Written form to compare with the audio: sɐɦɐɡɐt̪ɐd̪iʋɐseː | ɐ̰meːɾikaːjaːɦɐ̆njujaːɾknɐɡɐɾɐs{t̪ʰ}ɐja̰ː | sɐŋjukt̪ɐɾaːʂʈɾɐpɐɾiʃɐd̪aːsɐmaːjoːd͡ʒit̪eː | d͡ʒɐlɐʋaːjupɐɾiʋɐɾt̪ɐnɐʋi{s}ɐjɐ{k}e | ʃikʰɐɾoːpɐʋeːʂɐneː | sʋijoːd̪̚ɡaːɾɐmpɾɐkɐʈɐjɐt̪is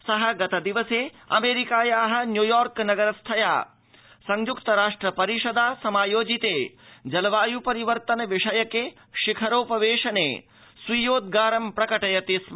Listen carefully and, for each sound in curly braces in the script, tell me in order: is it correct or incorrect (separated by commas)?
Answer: correct, incorrect, correct